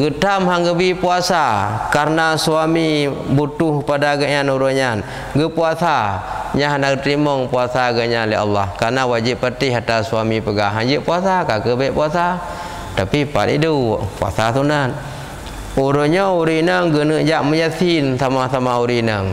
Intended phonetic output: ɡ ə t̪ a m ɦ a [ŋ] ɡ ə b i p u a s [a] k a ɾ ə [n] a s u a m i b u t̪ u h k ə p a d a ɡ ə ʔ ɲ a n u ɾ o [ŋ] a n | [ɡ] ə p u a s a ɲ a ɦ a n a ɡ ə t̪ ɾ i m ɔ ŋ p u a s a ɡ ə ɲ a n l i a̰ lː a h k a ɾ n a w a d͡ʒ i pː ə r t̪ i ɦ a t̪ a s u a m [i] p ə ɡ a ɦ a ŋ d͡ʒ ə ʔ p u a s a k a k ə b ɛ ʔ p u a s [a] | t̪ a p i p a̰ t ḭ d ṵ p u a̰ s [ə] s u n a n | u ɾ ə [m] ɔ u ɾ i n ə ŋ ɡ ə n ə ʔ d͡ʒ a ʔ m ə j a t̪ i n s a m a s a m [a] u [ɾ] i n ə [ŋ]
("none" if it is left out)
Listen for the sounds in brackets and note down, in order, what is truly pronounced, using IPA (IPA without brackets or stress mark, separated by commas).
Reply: ŋ, a, n, ɲ, ɡ, i, a, a, ɲ, a, ɾ, ŋ